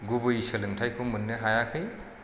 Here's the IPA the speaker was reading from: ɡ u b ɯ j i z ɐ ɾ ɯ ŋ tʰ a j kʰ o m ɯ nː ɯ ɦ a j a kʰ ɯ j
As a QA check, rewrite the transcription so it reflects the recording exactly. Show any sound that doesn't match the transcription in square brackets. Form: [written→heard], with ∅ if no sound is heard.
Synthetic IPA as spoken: ɡ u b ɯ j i [z→s] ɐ [ɾ→l] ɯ ŋ tʰ a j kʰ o m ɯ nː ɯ ɦ a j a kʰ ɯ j